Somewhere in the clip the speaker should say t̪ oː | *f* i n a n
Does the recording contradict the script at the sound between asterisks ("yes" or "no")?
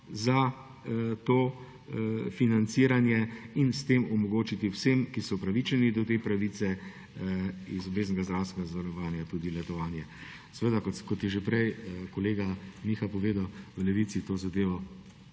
no